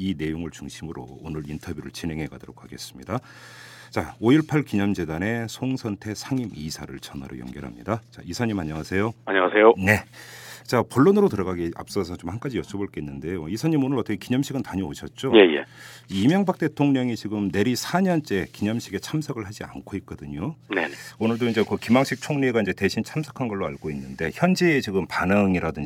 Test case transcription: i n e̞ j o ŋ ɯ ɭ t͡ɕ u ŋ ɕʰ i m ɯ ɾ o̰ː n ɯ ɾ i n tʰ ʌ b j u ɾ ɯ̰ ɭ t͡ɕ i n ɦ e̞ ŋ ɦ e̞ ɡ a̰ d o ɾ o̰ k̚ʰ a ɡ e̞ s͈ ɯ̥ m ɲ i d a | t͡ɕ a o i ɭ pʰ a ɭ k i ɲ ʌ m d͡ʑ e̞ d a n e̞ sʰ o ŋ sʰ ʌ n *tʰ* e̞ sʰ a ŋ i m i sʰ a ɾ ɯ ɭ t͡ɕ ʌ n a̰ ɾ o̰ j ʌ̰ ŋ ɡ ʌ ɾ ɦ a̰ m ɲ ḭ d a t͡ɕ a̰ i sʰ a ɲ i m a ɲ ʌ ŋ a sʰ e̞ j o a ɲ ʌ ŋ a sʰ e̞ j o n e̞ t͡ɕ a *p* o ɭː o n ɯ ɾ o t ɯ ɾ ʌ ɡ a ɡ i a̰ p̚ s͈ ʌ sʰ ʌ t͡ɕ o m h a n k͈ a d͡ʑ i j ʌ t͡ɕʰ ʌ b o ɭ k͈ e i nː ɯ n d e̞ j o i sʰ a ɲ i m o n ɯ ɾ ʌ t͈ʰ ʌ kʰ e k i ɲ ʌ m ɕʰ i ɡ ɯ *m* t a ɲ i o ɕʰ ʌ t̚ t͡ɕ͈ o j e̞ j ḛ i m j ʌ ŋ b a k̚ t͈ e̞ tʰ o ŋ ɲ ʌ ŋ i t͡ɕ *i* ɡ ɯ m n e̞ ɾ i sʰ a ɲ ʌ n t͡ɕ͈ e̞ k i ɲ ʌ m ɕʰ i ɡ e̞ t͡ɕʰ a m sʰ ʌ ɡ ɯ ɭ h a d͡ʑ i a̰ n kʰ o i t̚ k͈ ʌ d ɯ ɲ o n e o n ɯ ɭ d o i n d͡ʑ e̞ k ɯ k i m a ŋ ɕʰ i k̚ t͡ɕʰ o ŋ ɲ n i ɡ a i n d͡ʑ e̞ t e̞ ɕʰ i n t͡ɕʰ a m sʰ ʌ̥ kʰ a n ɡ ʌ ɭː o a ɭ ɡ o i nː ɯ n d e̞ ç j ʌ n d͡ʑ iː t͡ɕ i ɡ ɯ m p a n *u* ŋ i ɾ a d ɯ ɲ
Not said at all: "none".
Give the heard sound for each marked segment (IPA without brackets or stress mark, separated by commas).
tʰ, p, n, i, ɯ